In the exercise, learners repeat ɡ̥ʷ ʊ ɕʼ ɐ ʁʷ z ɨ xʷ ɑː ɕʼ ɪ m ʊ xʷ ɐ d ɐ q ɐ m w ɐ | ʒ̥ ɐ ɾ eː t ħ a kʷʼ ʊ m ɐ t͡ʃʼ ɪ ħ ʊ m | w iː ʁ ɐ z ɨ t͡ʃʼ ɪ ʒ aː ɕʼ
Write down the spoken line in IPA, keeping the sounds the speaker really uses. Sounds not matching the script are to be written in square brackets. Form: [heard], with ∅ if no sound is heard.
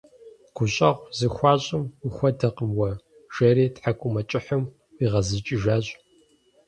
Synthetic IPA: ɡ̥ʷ ʊ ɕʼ ɐ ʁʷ z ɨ xʷ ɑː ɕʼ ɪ m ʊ xʷ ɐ d ɐ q [ə] m w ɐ | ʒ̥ ɐ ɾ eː t ħ a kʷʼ ʊ m ɐ t͡ʃʼ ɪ ħ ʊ m | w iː ʁ ɐ z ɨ t͡ʃʼ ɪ ʒ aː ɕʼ